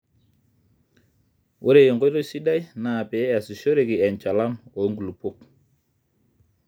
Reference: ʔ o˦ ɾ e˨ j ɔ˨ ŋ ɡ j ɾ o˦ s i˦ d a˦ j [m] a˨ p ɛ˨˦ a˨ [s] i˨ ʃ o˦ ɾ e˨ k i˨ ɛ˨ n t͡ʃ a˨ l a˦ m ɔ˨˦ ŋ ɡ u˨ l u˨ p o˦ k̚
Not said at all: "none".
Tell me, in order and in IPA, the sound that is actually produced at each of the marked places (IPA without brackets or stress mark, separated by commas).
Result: n, s